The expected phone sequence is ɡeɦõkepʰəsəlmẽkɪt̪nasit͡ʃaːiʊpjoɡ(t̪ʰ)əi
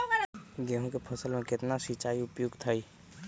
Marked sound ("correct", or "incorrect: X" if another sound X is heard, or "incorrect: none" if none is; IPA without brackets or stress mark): correct